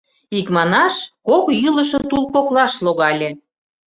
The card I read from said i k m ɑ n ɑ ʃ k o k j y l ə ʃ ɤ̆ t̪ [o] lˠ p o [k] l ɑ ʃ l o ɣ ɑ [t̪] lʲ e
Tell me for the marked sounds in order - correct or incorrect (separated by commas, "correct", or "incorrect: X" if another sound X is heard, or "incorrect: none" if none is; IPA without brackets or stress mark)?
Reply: incorrect: u, correct, incorrect: none